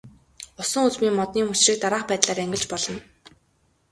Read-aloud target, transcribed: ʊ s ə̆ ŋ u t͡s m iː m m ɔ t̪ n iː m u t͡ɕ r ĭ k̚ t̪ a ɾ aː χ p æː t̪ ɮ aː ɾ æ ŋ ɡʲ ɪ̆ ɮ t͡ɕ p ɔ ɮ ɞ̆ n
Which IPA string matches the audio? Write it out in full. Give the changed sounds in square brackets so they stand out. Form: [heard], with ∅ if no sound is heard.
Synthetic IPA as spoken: ʊ s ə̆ ŋ u t͡s m iː [ŋ] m ɔ t̪ n iː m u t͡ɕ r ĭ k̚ t̪ a ɾ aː χ p æː t̪ ɮ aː ɾ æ ŋ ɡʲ ɪ̆ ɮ t͡ɕ p ɔ ɮ ɞ̆ n